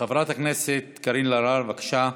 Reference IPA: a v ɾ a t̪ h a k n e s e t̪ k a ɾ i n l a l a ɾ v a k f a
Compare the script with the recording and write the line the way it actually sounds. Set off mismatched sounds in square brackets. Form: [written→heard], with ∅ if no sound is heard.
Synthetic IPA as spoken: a v ɾ a t̪ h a k n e s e t̪ k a ɾ i n l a [l→ɾ] a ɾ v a k [f→ʃ] a